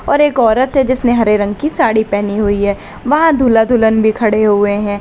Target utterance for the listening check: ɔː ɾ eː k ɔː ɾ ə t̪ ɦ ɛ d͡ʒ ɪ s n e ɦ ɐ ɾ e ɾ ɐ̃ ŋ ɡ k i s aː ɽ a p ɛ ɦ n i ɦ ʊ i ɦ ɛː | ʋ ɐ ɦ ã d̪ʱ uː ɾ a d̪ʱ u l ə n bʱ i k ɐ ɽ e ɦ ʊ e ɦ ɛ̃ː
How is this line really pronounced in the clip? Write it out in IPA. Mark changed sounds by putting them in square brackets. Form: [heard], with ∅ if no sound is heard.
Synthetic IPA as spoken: ɔː ɾ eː k ɔː ɾ ə t̪ ɦ ɛ d͡ʒ ɪ s n e ɦ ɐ ɾ e ɾ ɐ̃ ŋ ɡ k i s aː ɽ [i] p ɛ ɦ n i ɦ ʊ i ɦ ɛː | ʋ ɐ ɦ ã d̪ʱ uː [l] a d̪ʱ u l ə n bʱ i [kʰ] ɐ ɽ e ɦ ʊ e ɦ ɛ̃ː